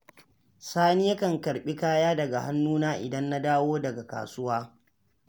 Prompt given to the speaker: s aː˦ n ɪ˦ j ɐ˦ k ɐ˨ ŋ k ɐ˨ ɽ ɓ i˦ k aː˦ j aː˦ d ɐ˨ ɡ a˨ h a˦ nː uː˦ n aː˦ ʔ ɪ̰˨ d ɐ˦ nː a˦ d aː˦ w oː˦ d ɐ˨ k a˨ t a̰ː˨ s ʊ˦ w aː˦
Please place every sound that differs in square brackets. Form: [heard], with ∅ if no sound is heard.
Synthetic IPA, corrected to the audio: s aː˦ n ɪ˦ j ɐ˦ k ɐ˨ ŋ k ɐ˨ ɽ ɓ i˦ k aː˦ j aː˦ d ɐ˨ ɡ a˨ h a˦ nː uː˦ n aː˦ ʔ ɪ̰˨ d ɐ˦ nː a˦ d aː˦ w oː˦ d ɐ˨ [ɡ] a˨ [k] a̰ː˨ s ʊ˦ w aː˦